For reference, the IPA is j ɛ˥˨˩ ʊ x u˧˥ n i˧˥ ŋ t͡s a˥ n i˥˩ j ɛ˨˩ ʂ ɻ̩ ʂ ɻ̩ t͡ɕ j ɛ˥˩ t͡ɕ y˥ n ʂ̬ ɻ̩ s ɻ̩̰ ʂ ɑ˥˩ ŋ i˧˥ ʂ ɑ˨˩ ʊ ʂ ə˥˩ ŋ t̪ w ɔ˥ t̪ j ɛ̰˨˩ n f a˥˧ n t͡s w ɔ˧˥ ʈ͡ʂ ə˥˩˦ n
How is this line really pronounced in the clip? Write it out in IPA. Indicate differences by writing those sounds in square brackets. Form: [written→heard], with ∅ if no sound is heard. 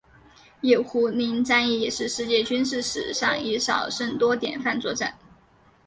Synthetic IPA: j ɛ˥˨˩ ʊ x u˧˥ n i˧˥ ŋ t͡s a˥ n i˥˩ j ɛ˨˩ ʂ ɻ̩ ʂ ɻ̩ t͡ɕ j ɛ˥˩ t͡ɕ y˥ n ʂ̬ ɻ̩ [s→ʂ] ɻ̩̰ ʂ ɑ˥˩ ŋ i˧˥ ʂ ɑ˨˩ ʊ ʂ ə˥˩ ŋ t̪ w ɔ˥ t̪ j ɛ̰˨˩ n f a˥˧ n t͡s w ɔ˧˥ ʈ͡ʂ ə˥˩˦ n